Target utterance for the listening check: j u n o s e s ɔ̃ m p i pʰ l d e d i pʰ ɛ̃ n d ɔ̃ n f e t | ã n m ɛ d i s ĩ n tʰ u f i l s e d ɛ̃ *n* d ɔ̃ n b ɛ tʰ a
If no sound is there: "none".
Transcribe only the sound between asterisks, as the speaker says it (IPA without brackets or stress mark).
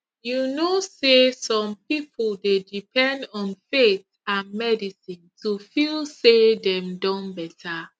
m